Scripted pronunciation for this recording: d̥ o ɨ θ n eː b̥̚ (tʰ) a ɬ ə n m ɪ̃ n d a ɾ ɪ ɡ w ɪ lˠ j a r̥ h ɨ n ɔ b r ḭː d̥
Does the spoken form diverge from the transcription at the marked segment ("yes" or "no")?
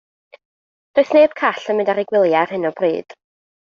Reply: yes